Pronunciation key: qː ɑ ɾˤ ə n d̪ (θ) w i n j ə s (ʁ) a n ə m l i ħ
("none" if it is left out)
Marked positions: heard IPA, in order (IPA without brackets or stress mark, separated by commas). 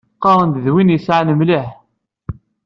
ð, ʕ